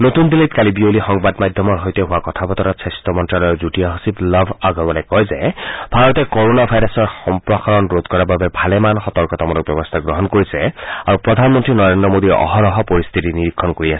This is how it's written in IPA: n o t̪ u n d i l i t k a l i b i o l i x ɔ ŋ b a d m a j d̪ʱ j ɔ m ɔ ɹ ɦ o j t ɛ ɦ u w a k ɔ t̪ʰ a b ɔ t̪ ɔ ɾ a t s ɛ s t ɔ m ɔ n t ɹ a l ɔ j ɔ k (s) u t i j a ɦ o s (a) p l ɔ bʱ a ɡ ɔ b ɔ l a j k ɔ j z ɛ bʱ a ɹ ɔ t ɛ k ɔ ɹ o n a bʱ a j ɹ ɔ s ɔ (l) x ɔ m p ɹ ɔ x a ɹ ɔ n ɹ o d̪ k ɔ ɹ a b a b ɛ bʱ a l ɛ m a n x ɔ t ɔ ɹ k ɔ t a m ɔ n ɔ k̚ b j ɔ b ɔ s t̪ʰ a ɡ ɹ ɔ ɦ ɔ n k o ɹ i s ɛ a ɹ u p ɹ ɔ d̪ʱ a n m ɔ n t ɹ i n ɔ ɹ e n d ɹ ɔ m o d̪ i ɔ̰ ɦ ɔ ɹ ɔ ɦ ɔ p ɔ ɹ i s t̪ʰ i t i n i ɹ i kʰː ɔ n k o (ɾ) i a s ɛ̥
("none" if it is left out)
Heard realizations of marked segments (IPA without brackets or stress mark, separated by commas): z, i, ɹ, ɹ